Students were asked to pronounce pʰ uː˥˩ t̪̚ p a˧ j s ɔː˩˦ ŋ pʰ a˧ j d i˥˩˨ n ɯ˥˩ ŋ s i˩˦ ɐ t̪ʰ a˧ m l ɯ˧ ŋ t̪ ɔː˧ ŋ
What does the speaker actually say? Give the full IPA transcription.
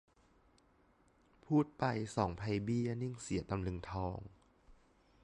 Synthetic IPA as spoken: pʰ uː˥˩ t̪̚ p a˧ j s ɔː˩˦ ŋ pʰ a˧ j b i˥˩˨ n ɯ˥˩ ŋ s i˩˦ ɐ t̪ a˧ m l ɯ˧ ŋ t̪ʰ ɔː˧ ŋ